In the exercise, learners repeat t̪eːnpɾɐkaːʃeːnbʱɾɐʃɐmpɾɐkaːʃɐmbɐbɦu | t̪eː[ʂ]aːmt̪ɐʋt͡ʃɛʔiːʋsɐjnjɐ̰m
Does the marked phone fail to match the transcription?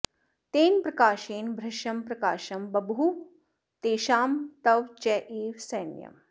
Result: yes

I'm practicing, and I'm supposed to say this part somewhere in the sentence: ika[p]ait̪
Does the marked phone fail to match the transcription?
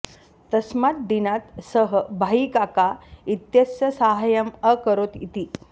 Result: yes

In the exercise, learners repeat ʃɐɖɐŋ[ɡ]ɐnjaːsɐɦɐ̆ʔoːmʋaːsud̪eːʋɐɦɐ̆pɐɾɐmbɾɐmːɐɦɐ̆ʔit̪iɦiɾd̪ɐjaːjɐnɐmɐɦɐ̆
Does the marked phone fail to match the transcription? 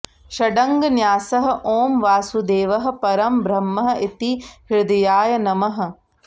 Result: no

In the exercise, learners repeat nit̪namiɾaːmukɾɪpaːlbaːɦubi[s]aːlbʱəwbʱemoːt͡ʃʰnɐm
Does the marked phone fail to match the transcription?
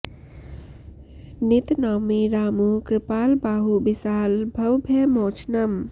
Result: no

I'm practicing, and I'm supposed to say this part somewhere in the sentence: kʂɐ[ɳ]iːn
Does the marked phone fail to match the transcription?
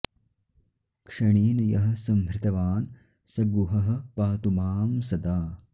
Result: no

